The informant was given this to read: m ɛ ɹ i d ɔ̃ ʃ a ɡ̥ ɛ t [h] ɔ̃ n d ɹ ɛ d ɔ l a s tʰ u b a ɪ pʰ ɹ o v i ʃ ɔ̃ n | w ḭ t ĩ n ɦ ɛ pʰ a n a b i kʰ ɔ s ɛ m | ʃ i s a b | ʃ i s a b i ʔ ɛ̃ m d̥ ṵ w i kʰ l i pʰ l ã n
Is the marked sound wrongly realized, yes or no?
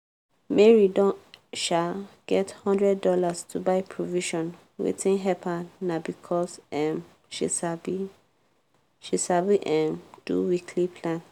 no